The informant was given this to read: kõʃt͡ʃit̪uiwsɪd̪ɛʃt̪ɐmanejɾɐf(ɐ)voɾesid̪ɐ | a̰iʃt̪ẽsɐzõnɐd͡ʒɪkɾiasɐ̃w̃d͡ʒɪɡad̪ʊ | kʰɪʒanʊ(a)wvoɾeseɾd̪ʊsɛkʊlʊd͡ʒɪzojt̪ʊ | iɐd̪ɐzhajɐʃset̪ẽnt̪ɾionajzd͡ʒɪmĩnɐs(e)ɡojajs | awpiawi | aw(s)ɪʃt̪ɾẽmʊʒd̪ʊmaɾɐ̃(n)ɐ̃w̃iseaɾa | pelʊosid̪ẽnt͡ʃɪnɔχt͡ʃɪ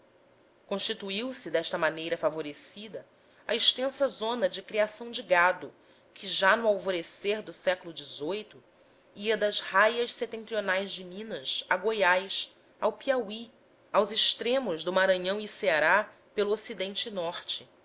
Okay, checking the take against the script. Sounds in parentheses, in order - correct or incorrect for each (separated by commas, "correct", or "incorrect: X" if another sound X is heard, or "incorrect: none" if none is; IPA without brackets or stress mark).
incorrect: a, correct, incorrect: a, incorrect: z, incorrect: ɲ